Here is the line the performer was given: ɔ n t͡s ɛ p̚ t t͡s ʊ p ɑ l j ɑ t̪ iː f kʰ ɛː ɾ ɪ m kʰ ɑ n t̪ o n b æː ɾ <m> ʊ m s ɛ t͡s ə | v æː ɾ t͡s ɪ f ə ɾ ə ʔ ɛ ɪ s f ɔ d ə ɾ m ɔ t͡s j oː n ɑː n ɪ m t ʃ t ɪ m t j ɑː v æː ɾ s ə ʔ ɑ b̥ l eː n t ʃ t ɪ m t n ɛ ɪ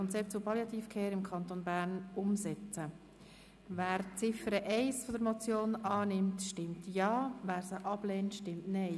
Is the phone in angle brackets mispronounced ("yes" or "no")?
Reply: yes